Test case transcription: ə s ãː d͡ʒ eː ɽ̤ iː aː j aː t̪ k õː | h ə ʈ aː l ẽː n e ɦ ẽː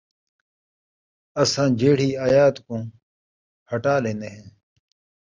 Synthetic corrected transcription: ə s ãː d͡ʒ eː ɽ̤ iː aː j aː t̪ k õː | h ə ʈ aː l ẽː n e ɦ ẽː